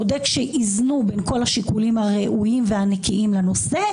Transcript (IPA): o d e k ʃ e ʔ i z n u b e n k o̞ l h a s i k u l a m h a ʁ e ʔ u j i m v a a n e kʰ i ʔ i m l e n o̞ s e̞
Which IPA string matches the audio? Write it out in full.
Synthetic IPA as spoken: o d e k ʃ e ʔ i z n u b e n k o̞ l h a ʃ i k u l i m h a ʁ e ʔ u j i m v e a n e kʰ i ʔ i m l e n o̞ s e̞